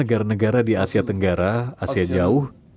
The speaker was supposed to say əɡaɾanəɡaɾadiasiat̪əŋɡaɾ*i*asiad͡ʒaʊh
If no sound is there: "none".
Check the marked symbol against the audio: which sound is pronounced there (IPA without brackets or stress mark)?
a